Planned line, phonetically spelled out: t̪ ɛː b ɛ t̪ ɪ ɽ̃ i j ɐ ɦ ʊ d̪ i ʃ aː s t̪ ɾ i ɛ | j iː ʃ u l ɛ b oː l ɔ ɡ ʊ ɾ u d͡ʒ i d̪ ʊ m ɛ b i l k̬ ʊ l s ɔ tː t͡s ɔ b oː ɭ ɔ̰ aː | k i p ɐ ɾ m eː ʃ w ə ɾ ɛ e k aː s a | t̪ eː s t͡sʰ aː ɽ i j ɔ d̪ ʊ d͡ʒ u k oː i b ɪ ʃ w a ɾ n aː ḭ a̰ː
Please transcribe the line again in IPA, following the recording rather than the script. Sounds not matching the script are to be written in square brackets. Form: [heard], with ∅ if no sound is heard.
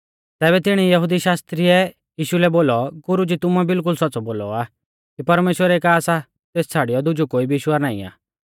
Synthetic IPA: t̪ ɛː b ɛ t̪ ɪ ɽ̃ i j ɐ ɦ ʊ d̪ i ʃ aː s t̪ ɾ i ɛ | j iː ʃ u l ɛ b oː l ɔ ɡ ʊ ɾ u d͡ʒ i [t̪] ʊ m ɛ b [ɪ] l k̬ ʊ l s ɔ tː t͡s ɔ b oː [l] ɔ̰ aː | k i p ɐ ɾ m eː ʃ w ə ɾ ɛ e k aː s a | t̪ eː s t͡sʰ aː ɽ i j ɔ d̪ ʊ d͡ʒ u k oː i b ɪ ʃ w a ɾ n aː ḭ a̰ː

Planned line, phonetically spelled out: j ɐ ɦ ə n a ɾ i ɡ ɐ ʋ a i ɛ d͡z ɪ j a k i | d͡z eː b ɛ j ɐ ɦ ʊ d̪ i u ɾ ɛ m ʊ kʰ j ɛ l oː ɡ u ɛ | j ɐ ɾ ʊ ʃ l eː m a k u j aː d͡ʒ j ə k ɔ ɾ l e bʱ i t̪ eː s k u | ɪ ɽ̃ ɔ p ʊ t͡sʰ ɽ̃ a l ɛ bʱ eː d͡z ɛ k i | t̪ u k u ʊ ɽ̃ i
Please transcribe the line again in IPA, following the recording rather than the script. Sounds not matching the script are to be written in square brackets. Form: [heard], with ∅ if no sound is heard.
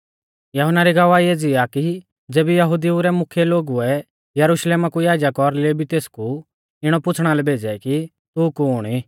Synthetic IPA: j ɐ ɦ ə n a ɾ i ɡ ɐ ʋ a i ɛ d͡z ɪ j a k i | d͡z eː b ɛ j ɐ ɦ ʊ d̪ i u ɾ ɛ m ʊ kʰ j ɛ l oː ɡ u ɛ | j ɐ ɾ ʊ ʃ l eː m a k u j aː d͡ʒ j [a] k ɔ ɾ l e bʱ i t̪ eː s k u | ɪ ɽ̃ ɔ p ʊ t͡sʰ ɽ̃ a l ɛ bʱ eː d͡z ɛ k i | t̪ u k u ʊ ɽ̃ i

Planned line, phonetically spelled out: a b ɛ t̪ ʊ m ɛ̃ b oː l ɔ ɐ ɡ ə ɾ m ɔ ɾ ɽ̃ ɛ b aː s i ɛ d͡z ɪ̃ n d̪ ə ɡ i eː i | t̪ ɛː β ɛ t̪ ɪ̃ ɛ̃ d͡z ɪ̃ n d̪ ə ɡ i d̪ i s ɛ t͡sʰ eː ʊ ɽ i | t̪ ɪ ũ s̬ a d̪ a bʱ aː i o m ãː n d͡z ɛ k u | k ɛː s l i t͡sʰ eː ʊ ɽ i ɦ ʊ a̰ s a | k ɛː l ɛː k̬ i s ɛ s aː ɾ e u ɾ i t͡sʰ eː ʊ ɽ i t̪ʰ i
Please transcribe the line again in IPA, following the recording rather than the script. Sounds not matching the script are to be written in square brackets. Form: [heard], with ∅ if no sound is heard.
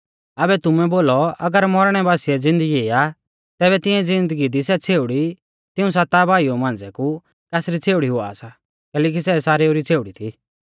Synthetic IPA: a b ɛ t̪ ʊ m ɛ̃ b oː l ɔ ɐ ɡ ə ɾ m ɔ ɾ ɽ̃ ɛ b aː s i ɛ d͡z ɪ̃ n d̪ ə ɡ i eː [a] | t̪ ɛː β ɛ t̪ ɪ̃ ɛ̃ d͡z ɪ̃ n d̪ ə ɡ i d̪ i s ɛ t͡sʰ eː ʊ ɽ i | t̪ ɪ ũ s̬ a [t̪] a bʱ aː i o m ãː n d͡z ɛ k u | k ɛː s [ɾ] i t͡sʰ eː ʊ ɽ i ɦ ʊ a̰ s a | k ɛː l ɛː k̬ i s ɛ s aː ɾ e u ɾ i t͡sʰ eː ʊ ɽ i t̪ʰ i

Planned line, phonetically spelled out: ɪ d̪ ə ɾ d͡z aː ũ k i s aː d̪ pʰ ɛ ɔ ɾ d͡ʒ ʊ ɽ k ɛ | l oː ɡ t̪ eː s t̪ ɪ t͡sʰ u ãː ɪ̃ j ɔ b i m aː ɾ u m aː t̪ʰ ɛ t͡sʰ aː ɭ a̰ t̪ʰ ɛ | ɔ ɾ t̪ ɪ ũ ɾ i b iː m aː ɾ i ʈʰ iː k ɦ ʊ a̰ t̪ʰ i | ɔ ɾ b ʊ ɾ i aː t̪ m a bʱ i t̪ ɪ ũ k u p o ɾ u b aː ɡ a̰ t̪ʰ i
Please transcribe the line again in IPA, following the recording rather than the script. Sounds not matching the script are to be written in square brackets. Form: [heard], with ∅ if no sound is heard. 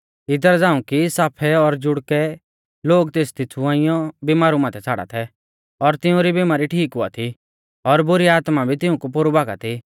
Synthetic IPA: ɪ d̪ ə ɾ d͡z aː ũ k i s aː [∅] pʰ ɛ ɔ ɾ d͡ʒ ʊ ɽ k ɛ | l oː ɡ t̪ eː s t̪ ɪ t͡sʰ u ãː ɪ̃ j ɔ b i m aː ɾ u m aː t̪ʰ ɛ t͡sʰ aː [ɽ] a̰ t̪ʰ ɛ | ɔ ɾ t̪ ɪ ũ ɾ i b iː m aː ɾ i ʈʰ iː k ɦ ʊ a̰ t̪ʰ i | ɔ ɾ b ʊ ɾ i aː t̪ m a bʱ i t̪ ɪ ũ k u p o ɾ u b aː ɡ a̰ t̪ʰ i

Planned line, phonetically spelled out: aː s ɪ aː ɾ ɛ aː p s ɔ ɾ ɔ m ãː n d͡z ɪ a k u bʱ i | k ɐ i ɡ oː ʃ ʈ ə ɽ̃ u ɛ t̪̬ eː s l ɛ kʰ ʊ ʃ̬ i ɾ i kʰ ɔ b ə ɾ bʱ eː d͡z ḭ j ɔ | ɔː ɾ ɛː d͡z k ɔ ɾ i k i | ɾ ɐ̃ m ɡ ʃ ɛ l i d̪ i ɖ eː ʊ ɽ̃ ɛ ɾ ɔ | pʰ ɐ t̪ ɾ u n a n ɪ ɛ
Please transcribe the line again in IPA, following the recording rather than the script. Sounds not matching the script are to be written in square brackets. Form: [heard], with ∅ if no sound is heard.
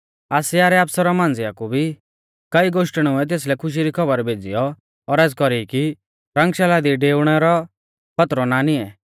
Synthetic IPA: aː s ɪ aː ɾ ɛ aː p s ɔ ɾ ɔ m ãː n d͡z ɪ a k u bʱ i | k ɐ i ɡ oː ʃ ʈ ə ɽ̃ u ɛ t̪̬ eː s l ɛ kʰ ʊ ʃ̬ i ɾ i kʰ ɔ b ə ɾ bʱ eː d͡z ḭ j ɔ | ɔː ɾ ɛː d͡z k ɔ ɾ i k i | ɾ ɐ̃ [ŋ] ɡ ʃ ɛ l [a] d̪ i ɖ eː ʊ ɽ̃ ɛ ɾ ɔ | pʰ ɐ t̪ ɾ [ɔ] n a n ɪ ɛ

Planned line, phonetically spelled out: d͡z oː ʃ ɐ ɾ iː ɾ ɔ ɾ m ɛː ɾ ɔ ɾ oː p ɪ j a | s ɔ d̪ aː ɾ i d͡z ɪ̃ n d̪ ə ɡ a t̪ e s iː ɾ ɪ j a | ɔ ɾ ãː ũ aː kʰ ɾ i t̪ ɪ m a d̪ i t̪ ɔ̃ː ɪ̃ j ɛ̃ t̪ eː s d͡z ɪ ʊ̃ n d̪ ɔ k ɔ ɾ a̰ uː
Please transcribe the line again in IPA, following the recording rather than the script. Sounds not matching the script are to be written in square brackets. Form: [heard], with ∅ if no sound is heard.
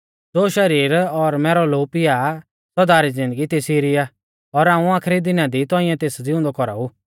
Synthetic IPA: d͡z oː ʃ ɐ ɾ iː ɾ ɔ ɾ m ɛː ɾ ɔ [l] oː p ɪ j a | s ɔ d̪ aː ɾ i d͡z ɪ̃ n d̪ ə ɡ [i] t̪ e s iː ɾ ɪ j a | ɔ ɾ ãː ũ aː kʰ ɾ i [d̪] ɪ [n] a d̪ i t̪ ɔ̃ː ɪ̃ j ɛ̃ t̪ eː s d͡z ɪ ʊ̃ n d̪ ɔ k ɔ ɾ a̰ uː

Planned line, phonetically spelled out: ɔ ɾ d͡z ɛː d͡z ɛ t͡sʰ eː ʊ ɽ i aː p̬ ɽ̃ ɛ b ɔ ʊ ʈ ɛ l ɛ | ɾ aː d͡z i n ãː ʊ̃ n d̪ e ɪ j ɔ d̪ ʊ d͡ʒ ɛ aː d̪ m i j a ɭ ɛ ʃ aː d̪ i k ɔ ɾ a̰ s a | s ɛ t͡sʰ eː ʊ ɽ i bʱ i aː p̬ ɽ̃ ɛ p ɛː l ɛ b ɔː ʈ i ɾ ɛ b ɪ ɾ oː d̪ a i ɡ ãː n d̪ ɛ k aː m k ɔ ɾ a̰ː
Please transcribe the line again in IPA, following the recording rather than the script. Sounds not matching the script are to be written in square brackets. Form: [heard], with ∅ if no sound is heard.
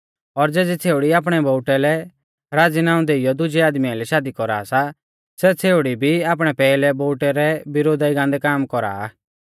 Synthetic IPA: ɔ ɾ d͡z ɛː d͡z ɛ t͡sʰ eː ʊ ɽ i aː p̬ ɽ̃ ɛ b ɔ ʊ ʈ ɛ l ɛ | ɾ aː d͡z i n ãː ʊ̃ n d̪ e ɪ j ɔ d̪ ʊ d͡ʒ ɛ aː d̪ m i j a [l] ɛ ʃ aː d̪ i k ɔ ɾ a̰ s a | s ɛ t͡sʰ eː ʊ ɽ i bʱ i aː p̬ ɽ̃ ɛ p ɛː l ɛ b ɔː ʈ [ɛ] ɾ ɛ b ɪ ɾ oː d̪ a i ɡ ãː n d̪ ɛ k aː m k ɔ ɾ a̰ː

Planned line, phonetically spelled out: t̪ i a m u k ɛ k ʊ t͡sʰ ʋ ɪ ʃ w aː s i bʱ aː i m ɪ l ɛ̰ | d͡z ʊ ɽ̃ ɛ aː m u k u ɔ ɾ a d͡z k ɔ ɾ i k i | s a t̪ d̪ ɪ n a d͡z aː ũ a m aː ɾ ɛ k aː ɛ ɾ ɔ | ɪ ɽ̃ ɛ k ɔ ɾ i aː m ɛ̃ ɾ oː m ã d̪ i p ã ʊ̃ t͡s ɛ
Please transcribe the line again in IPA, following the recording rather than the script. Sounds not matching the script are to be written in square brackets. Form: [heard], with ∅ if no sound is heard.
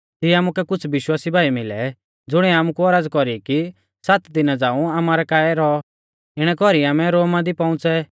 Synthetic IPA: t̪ i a m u k ɛ k ʊ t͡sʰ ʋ ɪ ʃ w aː s i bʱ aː i m ɪ l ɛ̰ | d͡z ʊ ɽ̃ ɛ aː m u k u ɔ ɾ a d͡z k ɔ ɾ i k i | s a t̪ d̪ ɪ n a d͡z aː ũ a m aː ɾ ɛ k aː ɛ ɾ ɔ | ɪ ɽ̃ ɛ k ɔ ɾ i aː m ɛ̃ ɾ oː m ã d̪ i p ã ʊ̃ t͡s ɛ

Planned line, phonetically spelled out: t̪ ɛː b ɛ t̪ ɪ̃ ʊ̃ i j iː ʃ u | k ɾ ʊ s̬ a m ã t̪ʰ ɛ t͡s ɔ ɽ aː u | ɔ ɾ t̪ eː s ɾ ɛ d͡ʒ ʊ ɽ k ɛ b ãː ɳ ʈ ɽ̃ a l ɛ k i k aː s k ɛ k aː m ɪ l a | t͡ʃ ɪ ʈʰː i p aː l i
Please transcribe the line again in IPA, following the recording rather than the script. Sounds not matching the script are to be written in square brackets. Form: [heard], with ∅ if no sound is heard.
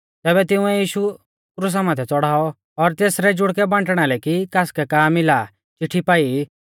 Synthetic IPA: t̪ ɛː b ɛ t̪ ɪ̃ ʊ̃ [ɛ] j iː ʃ u | k ɾ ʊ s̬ a m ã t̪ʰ ɛ t͡s ɔ ɽ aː [ɔ] | ɔ ɾ t̪ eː s ɾ ɛ d͡ʒ ʊ ɽ k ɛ b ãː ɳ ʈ ɽ̃ a l ɛ k i k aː s k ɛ k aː m ɪ l a | t͡ʃ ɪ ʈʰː i p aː [∅] i

